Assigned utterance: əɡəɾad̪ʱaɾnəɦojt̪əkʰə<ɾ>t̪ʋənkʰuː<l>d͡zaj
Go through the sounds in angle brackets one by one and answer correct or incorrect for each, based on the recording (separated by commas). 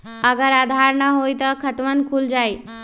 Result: incorrect, correct